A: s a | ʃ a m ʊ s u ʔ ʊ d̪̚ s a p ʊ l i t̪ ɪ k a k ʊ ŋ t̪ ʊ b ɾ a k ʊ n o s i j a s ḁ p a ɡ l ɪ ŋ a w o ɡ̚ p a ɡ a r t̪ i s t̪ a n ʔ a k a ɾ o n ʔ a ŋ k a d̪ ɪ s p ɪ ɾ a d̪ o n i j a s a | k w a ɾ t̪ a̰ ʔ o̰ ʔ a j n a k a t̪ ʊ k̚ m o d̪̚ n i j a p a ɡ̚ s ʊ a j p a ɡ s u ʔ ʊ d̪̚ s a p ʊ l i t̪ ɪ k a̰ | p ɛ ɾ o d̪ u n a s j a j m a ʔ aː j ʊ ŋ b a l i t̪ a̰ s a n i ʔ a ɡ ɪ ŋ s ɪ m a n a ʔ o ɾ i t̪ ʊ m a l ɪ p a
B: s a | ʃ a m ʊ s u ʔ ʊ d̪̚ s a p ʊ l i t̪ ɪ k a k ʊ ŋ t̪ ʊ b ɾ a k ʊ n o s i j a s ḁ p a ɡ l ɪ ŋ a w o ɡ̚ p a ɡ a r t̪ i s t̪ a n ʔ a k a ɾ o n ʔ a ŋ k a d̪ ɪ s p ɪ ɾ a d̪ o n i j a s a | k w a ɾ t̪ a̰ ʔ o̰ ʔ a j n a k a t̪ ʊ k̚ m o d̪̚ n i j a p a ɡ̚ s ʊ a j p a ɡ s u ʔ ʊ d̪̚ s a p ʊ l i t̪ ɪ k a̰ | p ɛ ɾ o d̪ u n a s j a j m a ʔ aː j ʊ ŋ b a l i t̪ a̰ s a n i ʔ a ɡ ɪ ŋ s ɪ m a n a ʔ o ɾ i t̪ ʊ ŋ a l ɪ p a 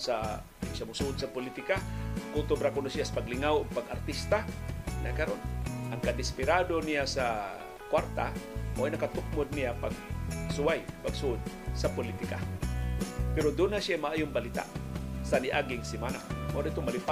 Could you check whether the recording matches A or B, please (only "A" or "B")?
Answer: A